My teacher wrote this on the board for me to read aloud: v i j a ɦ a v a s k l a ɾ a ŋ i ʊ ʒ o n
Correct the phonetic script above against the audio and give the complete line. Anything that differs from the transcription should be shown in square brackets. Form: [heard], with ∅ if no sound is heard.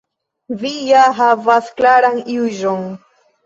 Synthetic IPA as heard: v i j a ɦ a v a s k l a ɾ a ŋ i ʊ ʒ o [ŋ]